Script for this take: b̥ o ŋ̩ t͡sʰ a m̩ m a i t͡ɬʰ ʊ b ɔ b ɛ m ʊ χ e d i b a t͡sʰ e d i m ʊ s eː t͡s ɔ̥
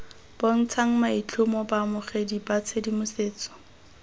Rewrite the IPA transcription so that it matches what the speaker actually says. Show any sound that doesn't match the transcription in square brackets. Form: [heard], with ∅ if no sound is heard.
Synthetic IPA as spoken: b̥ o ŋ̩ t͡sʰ a [ŋ̩] m a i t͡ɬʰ ʊ [m] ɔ b [a] m ʊ χ e d i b a t͡sʰ e d i m ʊ s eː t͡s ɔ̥